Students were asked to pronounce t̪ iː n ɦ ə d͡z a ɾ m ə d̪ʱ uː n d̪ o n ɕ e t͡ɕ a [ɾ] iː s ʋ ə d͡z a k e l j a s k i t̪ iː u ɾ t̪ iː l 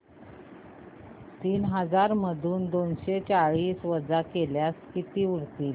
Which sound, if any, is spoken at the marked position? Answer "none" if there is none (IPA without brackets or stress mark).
ɭ